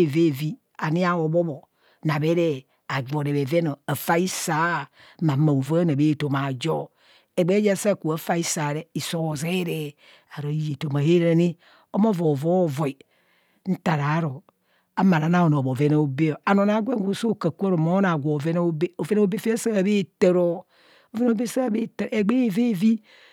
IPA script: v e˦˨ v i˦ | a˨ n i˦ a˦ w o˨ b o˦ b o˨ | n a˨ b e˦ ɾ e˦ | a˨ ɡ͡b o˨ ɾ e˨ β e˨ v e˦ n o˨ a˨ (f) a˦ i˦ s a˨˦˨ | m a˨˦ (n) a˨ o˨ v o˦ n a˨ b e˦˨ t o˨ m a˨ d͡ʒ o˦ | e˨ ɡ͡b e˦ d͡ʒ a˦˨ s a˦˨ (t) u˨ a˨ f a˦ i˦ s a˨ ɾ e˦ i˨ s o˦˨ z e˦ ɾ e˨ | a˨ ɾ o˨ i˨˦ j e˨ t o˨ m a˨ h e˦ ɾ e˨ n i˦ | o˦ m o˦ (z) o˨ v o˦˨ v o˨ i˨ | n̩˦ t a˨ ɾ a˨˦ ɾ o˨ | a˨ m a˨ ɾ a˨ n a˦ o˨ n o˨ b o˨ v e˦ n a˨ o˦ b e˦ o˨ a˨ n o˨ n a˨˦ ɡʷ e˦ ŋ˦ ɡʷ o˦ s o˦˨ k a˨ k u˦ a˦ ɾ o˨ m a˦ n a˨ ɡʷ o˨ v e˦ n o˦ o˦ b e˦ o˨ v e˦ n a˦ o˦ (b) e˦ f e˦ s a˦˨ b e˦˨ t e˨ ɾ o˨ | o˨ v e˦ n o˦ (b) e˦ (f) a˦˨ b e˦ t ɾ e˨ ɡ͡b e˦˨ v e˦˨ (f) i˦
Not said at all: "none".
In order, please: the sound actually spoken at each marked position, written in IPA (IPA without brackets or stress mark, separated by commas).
f, m, k, v, b, b, s, v